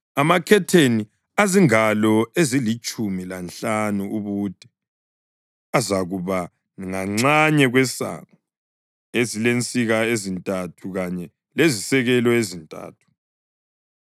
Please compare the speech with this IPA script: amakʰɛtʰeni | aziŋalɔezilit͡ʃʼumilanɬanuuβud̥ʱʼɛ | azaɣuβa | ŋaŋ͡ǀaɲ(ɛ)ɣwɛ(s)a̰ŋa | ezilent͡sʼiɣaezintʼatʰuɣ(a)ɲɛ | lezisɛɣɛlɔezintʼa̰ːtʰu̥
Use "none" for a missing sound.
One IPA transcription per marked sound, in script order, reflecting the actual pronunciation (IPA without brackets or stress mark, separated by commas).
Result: ɛ, s, a